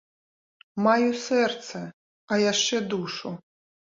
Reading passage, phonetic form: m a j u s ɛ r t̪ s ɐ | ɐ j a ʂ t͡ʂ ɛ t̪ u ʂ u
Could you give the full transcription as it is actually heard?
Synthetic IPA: m a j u s ɛ r t̪ s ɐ | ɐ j a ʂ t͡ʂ ɛ d̪ u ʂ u